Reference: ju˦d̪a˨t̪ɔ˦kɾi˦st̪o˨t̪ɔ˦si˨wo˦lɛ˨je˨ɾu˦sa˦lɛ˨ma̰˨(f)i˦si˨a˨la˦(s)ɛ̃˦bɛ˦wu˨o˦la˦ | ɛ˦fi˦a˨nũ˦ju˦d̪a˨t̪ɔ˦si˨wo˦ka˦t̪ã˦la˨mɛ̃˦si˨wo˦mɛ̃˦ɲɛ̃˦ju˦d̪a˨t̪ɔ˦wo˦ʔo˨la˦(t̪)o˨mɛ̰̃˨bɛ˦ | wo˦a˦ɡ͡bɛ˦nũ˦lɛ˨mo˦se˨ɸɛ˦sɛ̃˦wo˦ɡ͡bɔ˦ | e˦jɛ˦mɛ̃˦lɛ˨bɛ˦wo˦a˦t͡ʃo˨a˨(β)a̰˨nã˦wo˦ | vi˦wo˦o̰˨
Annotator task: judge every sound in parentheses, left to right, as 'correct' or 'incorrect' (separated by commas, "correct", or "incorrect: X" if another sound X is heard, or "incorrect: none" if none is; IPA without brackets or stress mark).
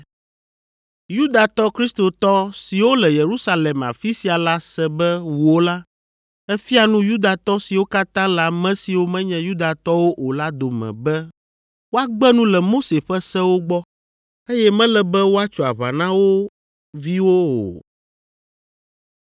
correct, correct, incorrect: d̪, correct